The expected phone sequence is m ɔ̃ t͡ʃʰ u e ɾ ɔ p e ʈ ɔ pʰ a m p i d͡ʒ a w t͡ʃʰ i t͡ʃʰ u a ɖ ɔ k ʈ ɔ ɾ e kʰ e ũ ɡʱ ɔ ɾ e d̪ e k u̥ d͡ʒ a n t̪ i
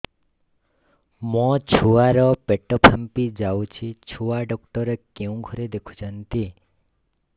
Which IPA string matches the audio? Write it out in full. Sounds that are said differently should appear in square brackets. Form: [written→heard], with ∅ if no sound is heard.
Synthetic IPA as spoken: m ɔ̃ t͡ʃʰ u [e→a] ɾ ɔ p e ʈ ɔ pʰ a m p i d͡ʒ a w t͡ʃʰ i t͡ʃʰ u a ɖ ɔ k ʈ ɔ ɾ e [kʰ→k] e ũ ɡʱ ɔ ɾ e d̪ e [k→kʰ] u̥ d͡ʒ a n t̪ i